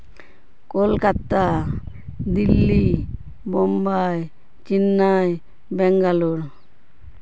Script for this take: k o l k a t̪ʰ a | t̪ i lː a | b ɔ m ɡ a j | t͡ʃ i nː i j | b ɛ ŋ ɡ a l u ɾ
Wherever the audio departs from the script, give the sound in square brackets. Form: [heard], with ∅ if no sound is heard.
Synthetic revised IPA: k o l k a [t̪] a | [d̪] i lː [i] | b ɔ m [b] a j | t͡ʃ i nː [a] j | b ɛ ŋ ɡ a l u ɾ